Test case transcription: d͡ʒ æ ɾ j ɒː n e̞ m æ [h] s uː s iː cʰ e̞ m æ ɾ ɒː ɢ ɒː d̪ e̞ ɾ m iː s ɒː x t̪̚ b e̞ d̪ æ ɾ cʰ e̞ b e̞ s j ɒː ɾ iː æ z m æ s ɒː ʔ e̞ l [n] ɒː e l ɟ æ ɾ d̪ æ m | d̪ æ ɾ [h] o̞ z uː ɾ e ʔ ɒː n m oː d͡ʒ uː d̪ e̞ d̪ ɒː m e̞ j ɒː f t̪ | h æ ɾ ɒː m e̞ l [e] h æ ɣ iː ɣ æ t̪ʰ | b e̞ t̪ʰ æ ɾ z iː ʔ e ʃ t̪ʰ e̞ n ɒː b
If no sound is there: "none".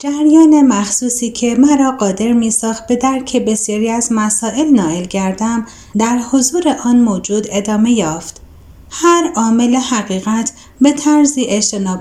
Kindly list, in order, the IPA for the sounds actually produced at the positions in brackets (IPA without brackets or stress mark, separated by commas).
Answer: x, n, h, e